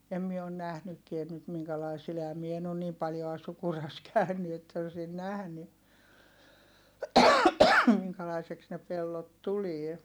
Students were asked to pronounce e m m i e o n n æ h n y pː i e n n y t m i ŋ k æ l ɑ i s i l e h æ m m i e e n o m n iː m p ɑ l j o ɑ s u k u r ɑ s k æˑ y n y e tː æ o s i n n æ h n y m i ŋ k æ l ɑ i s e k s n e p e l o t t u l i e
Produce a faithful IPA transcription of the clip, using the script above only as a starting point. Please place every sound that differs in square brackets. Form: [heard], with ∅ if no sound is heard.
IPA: e m m i e o n n æ h n y [kː] i e n n y t m i ŋ k æ l ɑ i s i l e h æ m m i e e n o [n] n iː m p ɑ l j o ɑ s u k u r ɑ s k æˑ y n y e tː æ o s i n n æ h n y m i ŋ k æ l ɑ i s e k s n e p e [lː] o t t u l i e